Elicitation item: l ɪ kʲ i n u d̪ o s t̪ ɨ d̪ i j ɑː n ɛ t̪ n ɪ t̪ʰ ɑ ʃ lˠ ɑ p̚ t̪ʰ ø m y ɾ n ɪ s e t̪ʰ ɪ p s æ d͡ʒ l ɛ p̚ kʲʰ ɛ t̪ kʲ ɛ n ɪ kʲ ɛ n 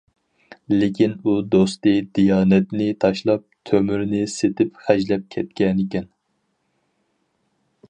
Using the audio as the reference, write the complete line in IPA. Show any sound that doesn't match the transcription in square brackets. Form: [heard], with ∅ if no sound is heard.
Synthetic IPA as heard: l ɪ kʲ i n u d̪ o s t̪ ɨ d̪ i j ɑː n ɛ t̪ n ɪ t̪ʰ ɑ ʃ lˠ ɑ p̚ t̪ʰ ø m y ɾ n ɪ s e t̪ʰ ɪ p [χ] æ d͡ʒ l ɛ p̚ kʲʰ ɛ t̪ kʲ ɛ n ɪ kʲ ɛ n